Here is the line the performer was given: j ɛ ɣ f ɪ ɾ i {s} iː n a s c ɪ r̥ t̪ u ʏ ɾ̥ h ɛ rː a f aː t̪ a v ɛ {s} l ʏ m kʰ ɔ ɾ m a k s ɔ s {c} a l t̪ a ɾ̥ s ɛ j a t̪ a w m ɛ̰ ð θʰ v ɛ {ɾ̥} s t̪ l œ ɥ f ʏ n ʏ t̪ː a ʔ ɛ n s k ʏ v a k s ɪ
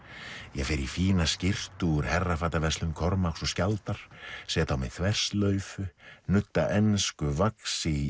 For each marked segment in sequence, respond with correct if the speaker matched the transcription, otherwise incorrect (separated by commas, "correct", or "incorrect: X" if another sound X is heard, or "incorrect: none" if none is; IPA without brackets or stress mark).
incorrect: f, correct, correct, incorrect: r̥